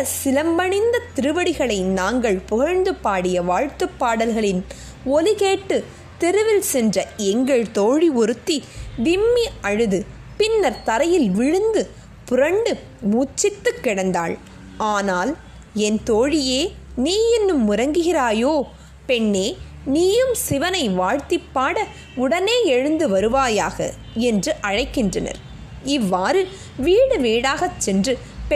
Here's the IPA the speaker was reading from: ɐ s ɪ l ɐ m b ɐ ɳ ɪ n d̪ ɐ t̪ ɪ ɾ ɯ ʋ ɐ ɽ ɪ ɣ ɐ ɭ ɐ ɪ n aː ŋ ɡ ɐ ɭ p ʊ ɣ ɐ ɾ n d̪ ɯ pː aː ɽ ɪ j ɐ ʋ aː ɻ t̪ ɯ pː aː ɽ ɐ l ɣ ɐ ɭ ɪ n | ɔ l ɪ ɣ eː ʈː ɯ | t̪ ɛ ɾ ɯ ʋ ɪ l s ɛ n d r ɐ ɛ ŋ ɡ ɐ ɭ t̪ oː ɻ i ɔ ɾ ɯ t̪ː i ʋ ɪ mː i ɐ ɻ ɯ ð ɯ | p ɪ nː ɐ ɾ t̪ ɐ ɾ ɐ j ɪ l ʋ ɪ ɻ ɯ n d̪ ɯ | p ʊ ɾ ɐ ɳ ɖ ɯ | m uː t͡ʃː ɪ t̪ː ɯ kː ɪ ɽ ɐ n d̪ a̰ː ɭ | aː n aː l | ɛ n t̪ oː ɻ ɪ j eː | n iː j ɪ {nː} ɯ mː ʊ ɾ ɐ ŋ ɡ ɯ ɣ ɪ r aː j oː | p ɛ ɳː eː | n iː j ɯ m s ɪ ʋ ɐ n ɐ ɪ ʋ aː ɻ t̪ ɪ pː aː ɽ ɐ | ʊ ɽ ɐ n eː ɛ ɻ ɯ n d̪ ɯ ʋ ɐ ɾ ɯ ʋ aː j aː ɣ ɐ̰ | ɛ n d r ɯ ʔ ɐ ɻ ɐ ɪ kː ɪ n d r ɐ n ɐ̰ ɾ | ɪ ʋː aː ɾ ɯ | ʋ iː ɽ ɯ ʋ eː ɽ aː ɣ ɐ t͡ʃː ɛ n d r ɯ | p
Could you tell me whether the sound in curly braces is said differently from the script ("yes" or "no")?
no